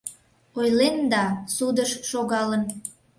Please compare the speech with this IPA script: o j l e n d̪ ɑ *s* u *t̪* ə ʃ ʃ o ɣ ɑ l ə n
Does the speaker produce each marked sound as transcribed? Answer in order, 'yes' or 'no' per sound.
yes, no

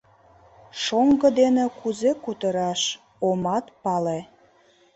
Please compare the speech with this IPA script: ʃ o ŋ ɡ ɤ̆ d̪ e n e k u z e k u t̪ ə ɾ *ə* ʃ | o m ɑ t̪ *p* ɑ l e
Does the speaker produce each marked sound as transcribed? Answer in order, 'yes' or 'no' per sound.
no, yes

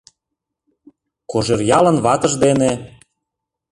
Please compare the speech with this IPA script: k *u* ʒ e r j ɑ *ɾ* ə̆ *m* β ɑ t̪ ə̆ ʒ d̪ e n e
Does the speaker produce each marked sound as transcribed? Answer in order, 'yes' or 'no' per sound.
no, no, no

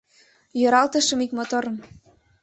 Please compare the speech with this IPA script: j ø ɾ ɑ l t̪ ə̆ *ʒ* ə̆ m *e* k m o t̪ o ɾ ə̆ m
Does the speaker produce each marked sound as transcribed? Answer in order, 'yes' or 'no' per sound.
no, no

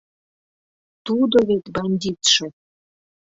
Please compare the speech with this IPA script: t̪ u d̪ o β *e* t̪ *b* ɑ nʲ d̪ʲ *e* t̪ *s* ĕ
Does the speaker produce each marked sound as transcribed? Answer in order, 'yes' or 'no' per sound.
yes, yes, no, no

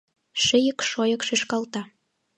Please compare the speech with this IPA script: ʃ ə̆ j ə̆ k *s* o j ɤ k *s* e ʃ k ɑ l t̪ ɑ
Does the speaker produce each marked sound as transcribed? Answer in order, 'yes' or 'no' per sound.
no, no

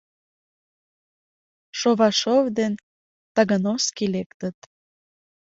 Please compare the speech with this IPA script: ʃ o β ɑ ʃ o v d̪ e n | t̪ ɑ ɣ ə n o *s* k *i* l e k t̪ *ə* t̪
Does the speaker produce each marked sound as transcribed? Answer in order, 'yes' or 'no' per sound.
yes, yes, yes

